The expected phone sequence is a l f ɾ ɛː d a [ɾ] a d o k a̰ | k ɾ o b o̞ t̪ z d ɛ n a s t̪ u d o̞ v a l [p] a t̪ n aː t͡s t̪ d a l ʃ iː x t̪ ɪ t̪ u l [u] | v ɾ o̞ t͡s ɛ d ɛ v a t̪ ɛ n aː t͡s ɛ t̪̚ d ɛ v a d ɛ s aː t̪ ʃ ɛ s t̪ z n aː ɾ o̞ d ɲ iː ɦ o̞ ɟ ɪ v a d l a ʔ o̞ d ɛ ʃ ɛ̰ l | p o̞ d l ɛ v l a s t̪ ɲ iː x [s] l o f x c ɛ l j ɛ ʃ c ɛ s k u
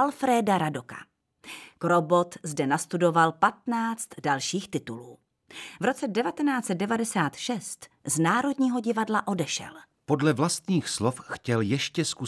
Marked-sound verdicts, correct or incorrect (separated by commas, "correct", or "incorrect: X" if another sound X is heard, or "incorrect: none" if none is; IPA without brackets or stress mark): correct, correct, incorrect: uː, correct